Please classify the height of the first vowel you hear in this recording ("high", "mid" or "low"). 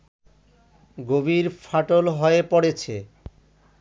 mid